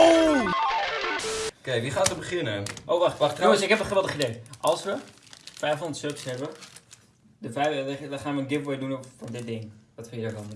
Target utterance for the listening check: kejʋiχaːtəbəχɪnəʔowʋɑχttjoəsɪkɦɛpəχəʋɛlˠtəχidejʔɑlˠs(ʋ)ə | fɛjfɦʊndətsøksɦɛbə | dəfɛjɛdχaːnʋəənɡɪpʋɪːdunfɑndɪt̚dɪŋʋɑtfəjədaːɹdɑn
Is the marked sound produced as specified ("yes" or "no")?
yes